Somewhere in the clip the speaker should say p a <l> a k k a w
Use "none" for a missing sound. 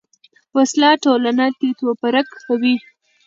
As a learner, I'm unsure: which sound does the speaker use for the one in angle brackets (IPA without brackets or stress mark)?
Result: ɾ